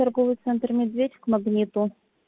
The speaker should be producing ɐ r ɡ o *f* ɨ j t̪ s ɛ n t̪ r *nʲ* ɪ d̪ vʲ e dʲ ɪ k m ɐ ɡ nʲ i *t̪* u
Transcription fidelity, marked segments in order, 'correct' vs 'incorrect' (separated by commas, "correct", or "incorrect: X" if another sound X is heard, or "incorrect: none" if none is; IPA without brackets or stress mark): incorrect: v, incorrect: mʲ, correct